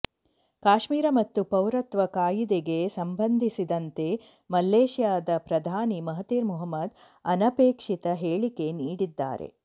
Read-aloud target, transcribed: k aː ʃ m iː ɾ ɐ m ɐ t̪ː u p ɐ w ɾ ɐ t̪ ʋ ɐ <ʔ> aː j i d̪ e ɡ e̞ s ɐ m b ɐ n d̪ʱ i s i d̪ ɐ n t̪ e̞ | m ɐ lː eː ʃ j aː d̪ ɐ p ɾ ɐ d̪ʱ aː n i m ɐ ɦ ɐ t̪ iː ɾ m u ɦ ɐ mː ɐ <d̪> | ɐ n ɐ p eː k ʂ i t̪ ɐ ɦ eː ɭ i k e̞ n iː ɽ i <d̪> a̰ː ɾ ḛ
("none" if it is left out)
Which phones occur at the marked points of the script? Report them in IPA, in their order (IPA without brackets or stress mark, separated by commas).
k, d̪, d̪ː